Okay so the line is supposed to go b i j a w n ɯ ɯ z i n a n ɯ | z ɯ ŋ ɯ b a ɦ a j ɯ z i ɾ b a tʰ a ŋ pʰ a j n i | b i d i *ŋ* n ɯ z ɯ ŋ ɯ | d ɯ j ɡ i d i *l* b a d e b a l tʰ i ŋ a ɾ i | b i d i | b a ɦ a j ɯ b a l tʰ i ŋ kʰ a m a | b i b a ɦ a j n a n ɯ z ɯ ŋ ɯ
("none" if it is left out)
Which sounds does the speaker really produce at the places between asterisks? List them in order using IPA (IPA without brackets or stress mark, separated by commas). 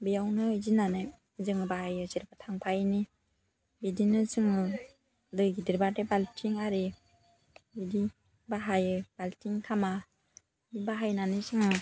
none, ɾ